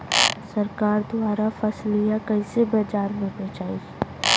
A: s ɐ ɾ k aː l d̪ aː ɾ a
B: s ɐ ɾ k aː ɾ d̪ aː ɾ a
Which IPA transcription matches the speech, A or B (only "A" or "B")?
B